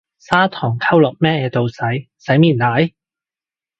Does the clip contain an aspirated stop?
yes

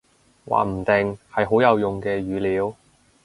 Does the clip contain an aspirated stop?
no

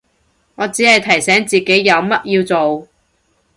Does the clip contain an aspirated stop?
yes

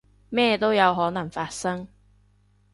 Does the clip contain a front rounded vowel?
no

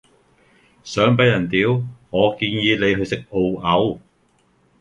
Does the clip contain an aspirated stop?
no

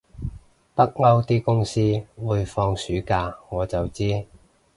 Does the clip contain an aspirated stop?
no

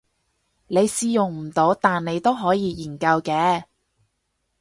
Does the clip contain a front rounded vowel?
no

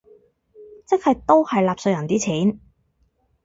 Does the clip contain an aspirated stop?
yes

